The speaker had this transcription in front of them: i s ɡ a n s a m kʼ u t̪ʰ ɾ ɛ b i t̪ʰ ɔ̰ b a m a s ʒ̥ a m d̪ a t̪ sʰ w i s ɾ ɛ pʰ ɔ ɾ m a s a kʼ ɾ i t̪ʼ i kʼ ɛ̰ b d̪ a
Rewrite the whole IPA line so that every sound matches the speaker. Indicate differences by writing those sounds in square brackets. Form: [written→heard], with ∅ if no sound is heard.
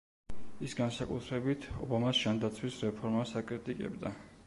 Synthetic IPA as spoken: i s ɡ a n s a [m→∅] kʼ u t̪ʰ ɾ ɛ b i t̪ʰ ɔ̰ b a m a s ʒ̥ a [m→n] d̪ a t̪ sʰ w i s ɾ ɛ pʰ ɔ ɾ m a s a kʼ ɾ i t̪ʼ i kʼ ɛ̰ b d̪ a